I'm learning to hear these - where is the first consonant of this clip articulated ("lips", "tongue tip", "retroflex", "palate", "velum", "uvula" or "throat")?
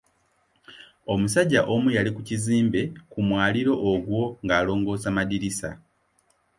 lips